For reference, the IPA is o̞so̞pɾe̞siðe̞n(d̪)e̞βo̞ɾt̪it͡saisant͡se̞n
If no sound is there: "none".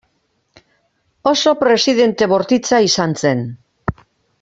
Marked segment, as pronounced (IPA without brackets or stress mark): t̪